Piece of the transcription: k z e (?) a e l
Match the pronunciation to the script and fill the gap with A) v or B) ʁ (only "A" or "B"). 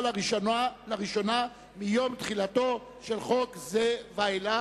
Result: A